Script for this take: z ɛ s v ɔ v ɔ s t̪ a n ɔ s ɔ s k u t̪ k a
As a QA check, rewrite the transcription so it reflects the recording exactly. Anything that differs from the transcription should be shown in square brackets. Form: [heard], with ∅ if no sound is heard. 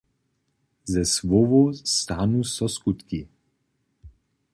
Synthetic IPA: z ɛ s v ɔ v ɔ s t̪ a n [u] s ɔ s k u t̪ k [i]